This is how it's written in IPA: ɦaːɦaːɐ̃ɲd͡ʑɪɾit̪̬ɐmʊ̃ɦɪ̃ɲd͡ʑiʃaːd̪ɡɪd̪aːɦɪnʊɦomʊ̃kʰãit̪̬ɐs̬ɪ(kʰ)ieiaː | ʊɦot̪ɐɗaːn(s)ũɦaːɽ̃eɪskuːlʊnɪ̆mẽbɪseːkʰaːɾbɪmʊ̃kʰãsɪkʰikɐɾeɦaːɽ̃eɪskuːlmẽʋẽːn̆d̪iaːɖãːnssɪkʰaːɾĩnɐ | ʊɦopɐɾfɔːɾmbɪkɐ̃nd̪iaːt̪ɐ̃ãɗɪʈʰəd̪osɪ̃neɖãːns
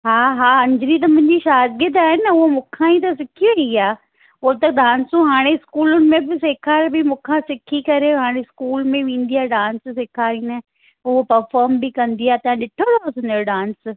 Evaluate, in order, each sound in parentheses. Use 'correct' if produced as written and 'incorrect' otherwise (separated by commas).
correct, correct